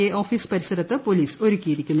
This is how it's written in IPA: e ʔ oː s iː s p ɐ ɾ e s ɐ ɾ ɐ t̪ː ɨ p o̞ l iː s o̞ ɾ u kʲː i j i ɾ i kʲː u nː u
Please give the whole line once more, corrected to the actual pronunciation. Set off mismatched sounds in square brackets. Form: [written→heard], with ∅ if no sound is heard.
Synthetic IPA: e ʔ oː [s→f] iː s p ɐ ɾ [e→i] s ɐ ɾ ɐ t̪ː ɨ p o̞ l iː s o̞ ɾ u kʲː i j i ɾ i kʲː u nː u

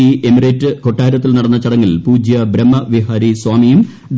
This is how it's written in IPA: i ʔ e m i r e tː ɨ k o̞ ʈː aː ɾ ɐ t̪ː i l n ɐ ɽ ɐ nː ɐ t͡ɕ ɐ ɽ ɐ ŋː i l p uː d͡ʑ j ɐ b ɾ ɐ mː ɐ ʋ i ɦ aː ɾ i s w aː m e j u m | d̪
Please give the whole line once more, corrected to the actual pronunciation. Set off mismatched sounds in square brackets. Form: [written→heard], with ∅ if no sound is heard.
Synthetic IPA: i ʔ e m i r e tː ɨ k o̞ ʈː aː ɾ ɐ t̪ː i l n ɐ ɽ ɐ nː ɐ t͡ɕ ɐ ɽ ɐ ŋː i l p uː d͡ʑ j ɐ b ɾ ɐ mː ɐ ʋ i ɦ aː ɾ i s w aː m [e→i] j u m | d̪

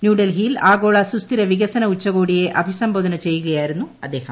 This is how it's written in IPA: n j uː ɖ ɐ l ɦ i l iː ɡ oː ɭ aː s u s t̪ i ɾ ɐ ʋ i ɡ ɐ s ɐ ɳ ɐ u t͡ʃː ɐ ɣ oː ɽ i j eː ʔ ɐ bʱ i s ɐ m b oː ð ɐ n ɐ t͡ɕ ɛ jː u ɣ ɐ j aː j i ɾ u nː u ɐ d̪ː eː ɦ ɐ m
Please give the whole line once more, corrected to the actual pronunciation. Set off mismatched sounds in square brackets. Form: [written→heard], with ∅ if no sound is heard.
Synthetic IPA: n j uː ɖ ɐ l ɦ i l [iː→aː] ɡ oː ɭ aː s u s t̪ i ɾ ɐ ʋ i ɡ ɐ s ɐ [ɳ→n] ɐ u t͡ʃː ɐ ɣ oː ɽ i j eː ʔ ɐ bʱ i s ɐ m b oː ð ɐ n ɐ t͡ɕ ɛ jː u ɣ ɐ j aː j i ɾ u nː u ɐ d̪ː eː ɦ ɐ m

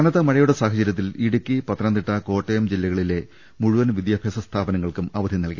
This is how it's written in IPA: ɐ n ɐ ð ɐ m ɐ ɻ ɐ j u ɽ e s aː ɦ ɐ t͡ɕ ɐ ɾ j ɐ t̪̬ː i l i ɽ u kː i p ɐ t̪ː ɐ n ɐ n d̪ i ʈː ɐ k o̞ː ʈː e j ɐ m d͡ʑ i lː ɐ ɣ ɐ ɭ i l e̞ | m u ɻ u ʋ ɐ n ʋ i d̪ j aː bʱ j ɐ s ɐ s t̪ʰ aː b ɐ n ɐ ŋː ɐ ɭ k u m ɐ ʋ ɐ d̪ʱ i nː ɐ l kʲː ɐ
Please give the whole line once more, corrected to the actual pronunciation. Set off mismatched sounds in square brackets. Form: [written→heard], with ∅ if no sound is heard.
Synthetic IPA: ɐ n ɐ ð ɐ m ɐ ɻ ɐ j u ɽ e s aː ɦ ɐ t͡ɕ ɐ ɾ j ɐ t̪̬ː i l i ɽ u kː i p ɐ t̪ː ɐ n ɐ n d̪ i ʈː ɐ k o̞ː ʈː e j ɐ m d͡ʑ i lː ɐ ɣ ɐ ɭ i l e̞ | m u ɻ u ʋ ɐ n ʋ i d̪ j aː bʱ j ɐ s ɐ s t̪ʰ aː b ɐ n ɐ ŋː ɐ ɭ k u m ɐ ʋ ɐ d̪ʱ i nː ɐ l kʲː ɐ

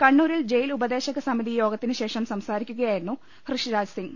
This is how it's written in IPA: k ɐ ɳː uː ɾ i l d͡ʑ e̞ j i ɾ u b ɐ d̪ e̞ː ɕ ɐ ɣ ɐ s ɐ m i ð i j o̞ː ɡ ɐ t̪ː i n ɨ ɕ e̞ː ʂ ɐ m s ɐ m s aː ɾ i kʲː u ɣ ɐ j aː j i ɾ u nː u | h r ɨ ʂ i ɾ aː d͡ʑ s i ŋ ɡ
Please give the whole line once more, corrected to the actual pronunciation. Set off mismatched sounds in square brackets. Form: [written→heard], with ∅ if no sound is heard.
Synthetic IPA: k ɐ ɳː uː ɾ i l d͡ʑ e̞ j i [ɾ→l] u b ɐ d̪ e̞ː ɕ ɐ ɣ ɐ s ɐ m i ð i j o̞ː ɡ ɐ t̪ː i n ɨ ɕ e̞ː ʂ ɐ m s ɐ m s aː ɾ i kʲː u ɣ ɐ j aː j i ɾ u nː u | h r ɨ ʂ i ɾ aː d͡ʑ s i ŋ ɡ

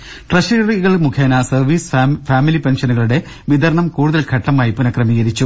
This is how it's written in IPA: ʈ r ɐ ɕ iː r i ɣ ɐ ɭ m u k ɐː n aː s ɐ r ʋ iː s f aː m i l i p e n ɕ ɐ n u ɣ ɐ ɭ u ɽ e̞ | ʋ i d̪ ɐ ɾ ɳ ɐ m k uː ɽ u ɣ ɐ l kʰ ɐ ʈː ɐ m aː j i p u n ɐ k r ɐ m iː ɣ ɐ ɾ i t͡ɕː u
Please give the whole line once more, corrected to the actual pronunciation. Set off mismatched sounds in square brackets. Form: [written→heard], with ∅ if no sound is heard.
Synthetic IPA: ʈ r ɐ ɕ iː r i ɣ ɐ ɭ m u [k→kʰ] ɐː n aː s ɐ r ʋ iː s f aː m i l i p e n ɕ ɐ n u ɣ ɐ ɭ u ɽ e̞ | ʋ i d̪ ɐ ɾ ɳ ɐ m k uː ɽ u [ɣ→ð] ɐ l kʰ ɐ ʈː ɐ m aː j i p u n ɐ k r ɐ m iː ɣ ɐ ɾ i t͡ɕː u

